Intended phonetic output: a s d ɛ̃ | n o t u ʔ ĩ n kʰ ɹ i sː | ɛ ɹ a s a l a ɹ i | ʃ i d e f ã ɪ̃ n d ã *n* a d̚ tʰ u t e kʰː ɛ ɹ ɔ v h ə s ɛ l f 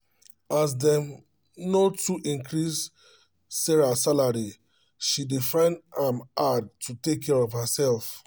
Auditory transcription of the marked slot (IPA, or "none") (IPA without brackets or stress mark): m